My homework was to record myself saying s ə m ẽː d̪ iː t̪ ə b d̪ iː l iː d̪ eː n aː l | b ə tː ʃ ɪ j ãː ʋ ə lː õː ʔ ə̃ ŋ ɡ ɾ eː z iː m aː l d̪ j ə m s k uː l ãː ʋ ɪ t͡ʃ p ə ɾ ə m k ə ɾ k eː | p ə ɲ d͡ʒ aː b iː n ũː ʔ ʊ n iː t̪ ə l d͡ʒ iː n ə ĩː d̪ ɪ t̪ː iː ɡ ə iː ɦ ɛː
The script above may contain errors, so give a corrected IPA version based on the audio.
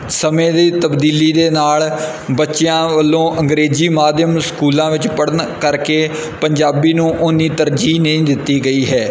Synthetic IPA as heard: s ə m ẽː d̪ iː t̪ ə b d̪ iː l iː d̪ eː n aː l | b ə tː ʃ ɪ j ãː ʋ ə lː õː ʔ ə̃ ŋ ɡ ɾ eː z iː m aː d̪ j ə m s k uː l ãː ʋ ɪ t͡ʃ p ə ɽ ə n k ə ɾ k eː | p ə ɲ d͡ʒ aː b iː n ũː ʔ ʊ n iː t̪ ə ɾ d͡ʒ iː n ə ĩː d̪ ɪ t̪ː iː ɡ ə iː ɦ ɛː